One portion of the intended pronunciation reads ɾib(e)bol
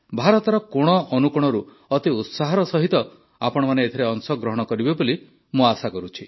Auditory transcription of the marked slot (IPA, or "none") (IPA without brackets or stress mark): e